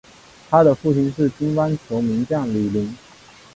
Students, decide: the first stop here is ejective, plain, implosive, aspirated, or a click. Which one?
aspirated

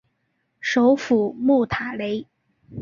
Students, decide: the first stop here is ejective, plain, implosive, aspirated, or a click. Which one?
aspirated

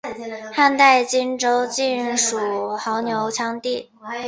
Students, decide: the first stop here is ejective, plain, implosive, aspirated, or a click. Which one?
plain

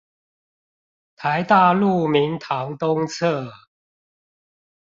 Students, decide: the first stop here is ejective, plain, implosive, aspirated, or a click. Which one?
aspirated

